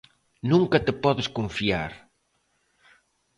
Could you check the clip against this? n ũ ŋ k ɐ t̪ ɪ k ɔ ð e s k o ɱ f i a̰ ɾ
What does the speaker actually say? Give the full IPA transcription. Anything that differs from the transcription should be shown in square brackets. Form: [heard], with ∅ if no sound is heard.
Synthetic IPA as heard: n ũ ŋ k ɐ t̪ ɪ [p] ɔ ð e s k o ɱ f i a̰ ɾ